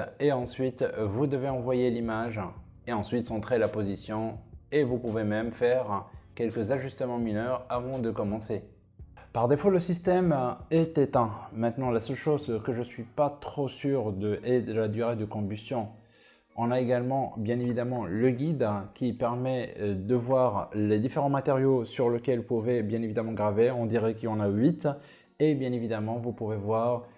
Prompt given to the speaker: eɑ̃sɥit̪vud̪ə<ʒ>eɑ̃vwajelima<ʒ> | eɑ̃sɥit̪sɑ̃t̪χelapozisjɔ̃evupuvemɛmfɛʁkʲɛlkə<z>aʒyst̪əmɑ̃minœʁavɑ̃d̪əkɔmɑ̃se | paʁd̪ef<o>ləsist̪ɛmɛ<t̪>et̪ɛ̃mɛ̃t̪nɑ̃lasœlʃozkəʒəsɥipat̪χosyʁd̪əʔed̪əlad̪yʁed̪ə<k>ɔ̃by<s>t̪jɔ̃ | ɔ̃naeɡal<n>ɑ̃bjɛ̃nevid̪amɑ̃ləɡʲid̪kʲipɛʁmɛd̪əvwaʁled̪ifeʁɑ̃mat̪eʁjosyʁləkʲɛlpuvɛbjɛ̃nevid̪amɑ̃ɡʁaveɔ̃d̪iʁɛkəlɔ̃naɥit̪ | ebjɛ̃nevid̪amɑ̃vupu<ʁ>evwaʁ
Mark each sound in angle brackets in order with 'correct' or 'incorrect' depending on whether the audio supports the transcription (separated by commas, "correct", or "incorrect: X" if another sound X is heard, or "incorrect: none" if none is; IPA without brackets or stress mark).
incorrect: v, correct, correct, correct, correct, correct, correct, incorrect: m, incorrect: v